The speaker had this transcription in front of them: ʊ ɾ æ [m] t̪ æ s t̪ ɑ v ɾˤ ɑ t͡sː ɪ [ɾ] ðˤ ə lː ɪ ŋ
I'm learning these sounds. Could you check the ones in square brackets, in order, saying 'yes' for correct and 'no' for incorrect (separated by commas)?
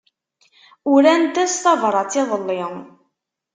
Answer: no, no